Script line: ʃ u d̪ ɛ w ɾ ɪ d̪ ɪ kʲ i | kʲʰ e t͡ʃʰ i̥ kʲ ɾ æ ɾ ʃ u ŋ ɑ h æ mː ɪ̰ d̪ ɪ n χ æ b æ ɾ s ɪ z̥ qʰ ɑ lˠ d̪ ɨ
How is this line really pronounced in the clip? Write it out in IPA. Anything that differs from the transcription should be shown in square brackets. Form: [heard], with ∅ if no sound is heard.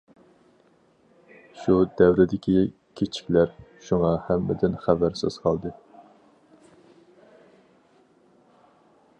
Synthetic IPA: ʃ u d̪ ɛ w ɾ ɪ d̪ ɪ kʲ i | kʲʰ e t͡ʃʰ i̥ kʲ [l] æ ɾ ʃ u ŋ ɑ h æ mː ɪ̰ d̪ ɪ n χ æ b æ ɾ s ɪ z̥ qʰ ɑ lˠ d̪ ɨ